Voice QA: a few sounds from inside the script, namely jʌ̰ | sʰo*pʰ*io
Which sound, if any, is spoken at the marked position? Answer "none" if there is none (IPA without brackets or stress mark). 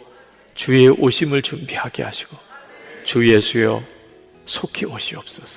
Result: kʰ